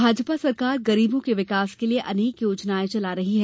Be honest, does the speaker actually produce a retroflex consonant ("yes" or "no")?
no